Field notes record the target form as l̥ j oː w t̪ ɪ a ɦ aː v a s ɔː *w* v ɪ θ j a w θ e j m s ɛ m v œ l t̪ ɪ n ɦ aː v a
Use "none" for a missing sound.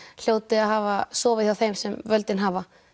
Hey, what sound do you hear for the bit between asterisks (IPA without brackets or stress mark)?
none